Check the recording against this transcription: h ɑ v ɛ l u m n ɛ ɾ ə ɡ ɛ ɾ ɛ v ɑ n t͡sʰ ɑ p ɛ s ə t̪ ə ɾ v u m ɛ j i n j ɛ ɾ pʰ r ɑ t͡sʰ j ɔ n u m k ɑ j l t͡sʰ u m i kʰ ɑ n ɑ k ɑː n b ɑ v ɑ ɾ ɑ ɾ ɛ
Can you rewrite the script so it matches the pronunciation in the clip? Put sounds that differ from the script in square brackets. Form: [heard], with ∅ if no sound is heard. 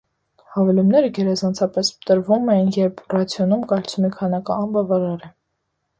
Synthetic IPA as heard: h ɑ v ɛ l u m n ɛ ɾ ə ɡ ɛ ɾ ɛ [z] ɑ n t͡sʰ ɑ p ɛ s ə t̪ ə ɾ v u m ɛ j i n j ɛ ɾ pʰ r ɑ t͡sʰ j ɔ n u m k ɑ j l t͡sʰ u m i kʰ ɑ n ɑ k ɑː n b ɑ v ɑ ɾ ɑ ɾ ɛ